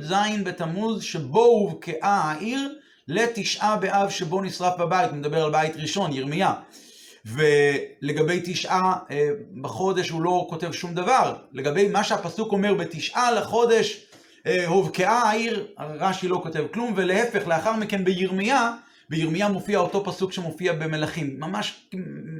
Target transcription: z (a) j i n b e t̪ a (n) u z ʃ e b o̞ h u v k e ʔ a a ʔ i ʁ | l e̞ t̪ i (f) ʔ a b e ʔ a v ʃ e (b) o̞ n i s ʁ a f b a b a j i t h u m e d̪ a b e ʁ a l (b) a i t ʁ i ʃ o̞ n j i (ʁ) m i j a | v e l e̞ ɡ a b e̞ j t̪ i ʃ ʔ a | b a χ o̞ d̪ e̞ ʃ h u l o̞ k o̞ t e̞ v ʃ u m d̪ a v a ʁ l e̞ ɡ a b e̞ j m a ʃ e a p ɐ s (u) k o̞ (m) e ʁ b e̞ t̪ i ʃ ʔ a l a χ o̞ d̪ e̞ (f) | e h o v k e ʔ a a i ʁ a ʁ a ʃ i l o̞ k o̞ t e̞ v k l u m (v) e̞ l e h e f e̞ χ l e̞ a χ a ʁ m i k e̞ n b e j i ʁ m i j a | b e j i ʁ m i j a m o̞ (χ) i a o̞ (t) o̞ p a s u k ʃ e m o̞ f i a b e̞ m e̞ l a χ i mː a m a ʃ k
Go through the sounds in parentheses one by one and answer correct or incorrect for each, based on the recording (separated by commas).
correct, incorrect, incorrect, correct, correct, correct, correct, correct, incorrect, correct, incorrect, correct